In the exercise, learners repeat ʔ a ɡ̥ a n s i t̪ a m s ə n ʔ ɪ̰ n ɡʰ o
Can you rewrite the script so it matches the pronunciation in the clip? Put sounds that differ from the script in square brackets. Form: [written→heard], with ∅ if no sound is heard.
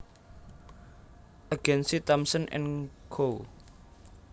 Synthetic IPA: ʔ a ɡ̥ [a→ɛ] n s i t̪ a m s ə n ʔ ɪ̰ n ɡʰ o